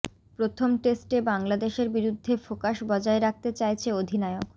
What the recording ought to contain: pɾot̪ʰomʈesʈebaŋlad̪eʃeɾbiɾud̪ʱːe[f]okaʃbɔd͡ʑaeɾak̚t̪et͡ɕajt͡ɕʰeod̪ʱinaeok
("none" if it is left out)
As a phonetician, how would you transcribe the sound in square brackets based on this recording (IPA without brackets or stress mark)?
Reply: f